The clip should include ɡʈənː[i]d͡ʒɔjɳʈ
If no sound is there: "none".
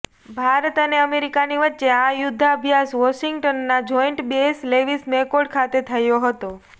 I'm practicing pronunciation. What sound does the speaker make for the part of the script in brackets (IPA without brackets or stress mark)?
a